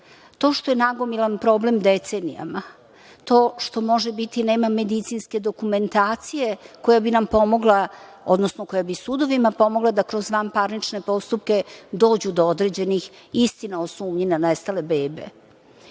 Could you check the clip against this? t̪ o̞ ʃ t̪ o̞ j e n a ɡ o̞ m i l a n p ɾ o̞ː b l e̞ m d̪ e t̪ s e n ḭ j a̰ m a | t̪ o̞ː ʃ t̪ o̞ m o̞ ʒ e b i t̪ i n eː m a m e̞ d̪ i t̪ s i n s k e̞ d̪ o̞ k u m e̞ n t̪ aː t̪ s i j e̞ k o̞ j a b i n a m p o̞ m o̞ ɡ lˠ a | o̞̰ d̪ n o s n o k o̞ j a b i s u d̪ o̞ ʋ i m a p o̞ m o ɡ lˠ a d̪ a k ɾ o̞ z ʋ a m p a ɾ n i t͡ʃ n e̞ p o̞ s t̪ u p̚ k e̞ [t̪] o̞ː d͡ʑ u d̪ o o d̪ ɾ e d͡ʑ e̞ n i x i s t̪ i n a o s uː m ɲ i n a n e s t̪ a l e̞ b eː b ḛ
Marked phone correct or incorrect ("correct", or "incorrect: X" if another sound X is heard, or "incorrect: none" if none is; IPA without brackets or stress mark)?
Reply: incorrect: d̪